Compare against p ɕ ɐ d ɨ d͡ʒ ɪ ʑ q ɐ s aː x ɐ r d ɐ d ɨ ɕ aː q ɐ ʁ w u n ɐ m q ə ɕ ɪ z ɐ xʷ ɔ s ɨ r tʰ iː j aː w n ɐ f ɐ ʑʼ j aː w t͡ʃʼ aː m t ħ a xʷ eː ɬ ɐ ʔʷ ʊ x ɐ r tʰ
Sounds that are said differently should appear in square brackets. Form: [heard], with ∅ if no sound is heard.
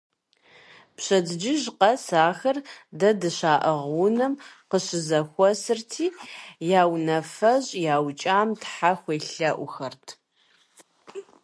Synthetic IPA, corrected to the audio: p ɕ ɐ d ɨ d͡ʒ ɪ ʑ q ɐ s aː x ɐ r d ɐ d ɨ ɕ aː [ʔ] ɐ ʁ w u n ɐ m q ə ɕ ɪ z ɐ xʷ ɔ s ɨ r tʰ iː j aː w n ɐ f ɐ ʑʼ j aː w t͡ʃʼ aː m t ħ a xʷ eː ɬ ɐ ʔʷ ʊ x ɐ r tʰ

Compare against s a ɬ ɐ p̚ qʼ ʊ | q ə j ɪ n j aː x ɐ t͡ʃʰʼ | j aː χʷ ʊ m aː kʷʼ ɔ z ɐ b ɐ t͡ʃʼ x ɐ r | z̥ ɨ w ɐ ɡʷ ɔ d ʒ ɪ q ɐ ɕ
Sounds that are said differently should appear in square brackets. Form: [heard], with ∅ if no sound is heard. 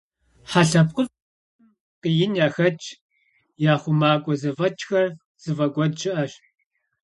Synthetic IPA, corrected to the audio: [ħ] a ɬ ɐ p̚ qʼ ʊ | q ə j ɪ n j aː x ɐ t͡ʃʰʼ | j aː χʷ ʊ m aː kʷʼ ɔ z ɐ [v] ɐ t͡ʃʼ x ɐ r | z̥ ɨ [v] ɐ ɡʷ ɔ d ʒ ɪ [ʔ] ɐ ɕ

